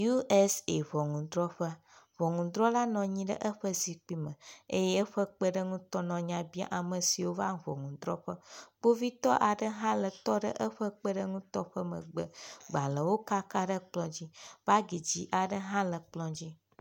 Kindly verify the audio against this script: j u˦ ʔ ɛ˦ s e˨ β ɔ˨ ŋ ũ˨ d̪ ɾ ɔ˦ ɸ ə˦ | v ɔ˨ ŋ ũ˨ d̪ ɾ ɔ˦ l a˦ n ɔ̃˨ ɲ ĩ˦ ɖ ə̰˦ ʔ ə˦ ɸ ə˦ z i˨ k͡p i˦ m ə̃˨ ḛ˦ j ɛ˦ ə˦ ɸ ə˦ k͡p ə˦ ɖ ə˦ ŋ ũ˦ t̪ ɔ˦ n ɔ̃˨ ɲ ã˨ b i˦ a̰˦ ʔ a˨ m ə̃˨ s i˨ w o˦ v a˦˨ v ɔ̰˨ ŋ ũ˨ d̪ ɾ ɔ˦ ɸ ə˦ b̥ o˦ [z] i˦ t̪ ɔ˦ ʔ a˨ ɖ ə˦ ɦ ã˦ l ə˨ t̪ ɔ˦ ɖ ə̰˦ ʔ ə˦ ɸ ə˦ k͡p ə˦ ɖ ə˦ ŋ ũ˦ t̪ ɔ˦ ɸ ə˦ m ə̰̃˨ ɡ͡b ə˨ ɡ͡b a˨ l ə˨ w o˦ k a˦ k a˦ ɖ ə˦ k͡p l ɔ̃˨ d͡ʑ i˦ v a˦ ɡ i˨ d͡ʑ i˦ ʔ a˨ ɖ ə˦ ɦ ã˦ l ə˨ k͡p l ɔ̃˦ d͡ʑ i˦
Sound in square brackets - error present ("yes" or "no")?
yes